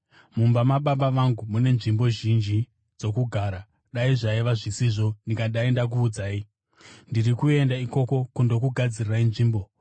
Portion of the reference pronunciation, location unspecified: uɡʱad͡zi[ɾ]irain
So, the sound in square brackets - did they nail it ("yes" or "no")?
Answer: no